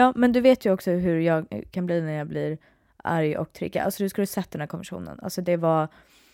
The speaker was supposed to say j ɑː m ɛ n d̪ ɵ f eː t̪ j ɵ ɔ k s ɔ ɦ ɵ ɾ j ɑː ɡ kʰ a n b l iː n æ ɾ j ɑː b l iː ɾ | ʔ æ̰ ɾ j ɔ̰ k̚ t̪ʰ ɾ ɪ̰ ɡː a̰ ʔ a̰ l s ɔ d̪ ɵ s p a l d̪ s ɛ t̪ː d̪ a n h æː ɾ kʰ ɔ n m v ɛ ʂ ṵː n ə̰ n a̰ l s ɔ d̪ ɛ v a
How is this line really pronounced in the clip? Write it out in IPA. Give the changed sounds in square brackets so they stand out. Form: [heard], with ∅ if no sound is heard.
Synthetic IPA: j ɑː m ɛ n d̪ ɵ [v] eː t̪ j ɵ ɔ k s ɔ ɦ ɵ ɾ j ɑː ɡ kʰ a n b l iː n æ ɾ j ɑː b l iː ɾ | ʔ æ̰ ɾ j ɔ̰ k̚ t̪ʰ ɾ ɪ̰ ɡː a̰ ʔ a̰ l s ɔ d̪ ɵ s [k] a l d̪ s ɛ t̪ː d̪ [ɛ] n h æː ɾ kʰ ɔ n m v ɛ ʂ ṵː n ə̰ n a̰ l s ɔ d̪ ɛ v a